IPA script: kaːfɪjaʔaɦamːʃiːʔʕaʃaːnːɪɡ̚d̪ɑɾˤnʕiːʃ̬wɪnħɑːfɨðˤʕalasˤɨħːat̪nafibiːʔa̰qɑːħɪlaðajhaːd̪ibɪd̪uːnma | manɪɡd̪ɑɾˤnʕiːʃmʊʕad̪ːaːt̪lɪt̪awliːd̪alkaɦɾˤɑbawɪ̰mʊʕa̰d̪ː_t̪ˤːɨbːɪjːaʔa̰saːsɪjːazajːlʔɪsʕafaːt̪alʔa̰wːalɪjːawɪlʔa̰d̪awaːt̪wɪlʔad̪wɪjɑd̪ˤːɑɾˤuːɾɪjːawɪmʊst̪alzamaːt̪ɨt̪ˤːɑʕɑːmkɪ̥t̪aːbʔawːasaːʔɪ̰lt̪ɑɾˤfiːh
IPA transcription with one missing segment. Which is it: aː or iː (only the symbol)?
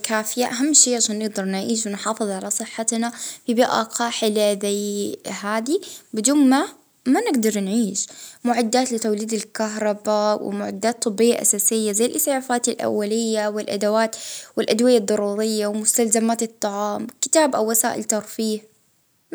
aː